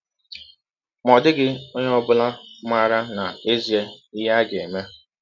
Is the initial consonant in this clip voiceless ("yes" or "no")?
no